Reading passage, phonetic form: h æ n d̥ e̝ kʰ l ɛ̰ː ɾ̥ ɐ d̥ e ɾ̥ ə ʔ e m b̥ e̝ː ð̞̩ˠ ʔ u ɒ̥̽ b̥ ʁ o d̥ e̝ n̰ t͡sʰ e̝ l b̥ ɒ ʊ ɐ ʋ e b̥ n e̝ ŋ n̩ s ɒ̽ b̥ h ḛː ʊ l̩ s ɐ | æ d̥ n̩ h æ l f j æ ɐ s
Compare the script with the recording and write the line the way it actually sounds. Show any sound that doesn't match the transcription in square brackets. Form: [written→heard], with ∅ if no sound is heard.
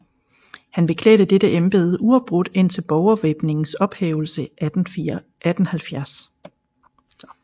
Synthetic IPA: h æ n [d̥→b̥] e̝ kʰ l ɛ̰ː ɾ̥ [ɐ→ə] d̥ e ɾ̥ ə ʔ e m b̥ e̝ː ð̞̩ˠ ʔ u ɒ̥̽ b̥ ʁ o d̥ e̝ n̰ t͡sʰ e̝ l b̥ ɒ ʊ ɐ ʋ e b̥ n e̝ ŋ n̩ s ɒ̽ b̥ h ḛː ʊ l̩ s [ɐ→ə] | æ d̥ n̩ h æ l f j æ ɐ s